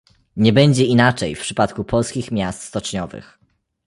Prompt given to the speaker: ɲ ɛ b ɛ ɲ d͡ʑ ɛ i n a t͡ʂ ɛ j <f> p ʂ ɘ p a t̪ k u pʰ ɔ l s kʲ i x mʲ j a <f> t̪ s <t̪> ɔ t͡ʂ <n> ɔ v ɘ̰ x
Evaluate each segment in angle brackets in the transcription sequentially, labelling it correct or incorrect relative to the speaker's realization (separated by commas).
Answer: correct, incorrect, correct, incorrect